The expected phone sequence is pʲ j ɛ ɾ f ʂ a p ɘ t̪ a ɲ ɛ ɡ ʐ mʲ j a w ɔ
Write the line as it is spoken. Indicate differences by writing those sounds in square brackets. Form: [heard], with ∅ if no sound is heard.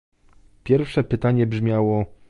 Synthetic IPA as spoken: pʲ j ɛ ɾ f ʂ [ɛ] p ɘ t̪ a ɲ ɛ [b] ʐ mʲ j a w ɔ